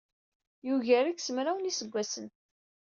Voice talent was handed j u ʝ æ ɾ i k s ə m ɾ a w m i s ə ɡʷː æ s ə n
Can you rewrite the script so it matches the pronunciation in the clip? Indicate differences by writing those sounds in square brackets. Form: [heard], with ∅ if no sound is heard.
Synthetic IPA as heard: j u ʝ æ ɾ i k s ə m ɾ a w [n] i s ə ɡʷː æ s ə n